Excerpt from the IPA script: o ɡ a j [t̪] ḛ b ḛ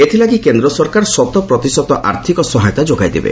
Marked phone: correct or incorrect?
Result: incorrect